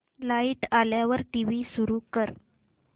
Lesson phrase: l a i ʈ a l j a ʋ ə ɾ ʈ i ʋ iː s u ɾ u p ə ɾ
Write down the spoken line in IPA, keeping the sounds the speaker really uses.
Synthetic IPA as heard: l a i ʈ a l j a ʋ ə ɾ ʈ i ʋ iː s u ɾ u k ə ɾ